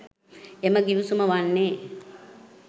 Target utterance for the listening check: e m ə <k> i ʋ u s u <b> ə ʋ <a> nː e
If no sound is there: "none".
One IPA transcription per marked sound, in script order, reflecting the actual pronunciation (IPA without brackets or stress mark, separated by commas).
ɡ, m, a